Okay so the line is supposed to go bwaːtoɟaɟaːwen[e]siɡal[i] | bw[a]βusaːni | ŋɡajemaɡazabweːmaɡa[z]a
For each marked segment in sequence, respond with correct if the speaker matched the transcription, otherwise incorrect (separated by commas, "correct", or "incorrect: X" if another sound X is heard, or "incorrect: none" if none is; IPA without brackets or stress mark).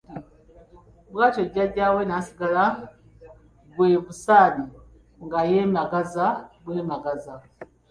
incorrect: a, incorrect: a, incorrect: e, correct